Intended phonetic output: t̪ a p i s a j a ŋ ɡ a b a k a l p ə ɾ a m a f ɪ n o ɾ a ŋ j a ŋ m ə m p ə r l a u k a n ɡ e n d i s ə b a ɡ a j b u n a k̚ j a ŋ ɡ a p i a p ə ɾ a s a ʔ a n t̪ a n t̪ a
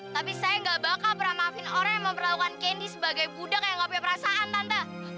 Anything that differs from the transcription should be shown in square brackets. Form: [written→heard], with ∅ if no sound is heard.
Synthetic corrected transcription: t̪ a p i s a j a ŋ ɡ a b a k a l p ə ɾ a m a f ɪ n o ɾ a ŋ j a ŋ m ə m p ə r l a u k a n [ɡ→k] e n d i s ə b a ɡ a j b u [n→d] a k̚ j a ŋ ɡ a p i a p ə ɾ a s a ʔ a n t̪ a n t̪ a